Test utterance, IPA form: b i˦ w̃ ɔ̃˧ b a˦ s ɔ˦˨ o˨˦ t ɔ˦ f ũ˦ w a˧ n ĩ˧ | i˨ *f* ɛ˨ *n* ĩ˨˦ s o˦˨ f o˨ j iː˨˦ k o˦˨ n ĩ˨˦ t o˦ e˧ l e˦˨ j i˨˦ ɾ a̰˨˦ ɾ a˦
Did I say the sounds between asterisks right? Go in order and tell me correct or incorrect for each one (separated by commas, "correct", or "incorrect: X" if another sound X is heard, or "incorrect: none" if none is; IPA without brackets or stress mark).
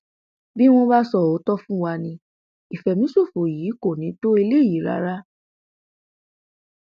correct, incorrect: m